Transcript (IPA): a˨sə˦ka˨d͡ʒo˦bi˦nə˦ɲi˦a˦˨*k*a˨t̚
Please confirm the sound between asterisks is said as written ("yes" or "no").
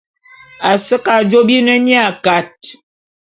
yes